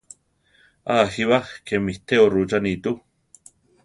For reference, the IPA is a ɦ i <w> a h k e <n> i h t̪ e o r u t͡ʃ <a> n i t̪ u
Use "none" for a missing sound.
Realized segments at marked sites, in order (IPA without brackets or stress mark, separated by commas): β, m, a